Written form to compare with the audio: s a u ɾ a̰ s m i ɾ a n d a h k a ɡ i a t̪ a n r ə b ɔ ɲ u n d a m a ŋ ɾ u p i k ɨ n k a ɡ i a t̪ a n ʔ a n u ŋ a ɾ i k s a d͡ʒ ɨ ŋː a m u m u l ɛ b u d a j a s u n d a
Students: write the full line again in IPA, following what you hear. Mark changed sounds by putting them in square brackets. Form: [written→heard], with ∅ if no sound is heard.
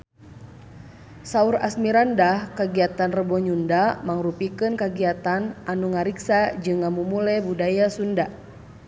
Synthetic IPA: s a u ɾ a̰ s m i ɾ a n d a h k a ɡ i a t̪ a n r ə b ɔ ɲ u n d a m a ŋ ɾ u p i k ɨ n k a ɡ i a t̪ a n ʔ a n u ŋ a ɾ i k s a d͡ʒ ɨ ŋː a m u m u l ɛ b u d a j a s u n d a